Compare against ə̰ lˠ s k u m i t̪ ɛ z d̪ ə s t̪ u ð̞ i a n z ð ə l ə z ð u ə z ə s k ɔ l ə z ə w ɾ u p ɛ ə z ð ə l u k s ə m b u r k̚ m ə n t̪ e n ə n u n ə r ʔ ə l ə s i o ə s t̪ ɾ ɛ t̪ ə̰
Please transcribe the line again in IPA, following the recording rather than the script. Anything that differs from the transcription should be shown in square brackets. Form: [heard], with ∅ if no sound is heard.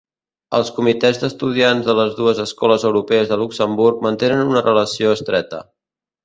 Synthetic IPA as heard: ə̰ lˠ s k u m i t̪ ɛ z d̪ ə s t̪ u ð̞ i a n z ð ə l ə z ð u ə z ə s k ɔ l ə z ə w ɾ u p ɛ ə z ð ə l u k s ə m b u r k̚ m ə n t̪ e n ə n u n ə r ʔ ə l ə s i o ə s t̪ ɾ ɛ t̪ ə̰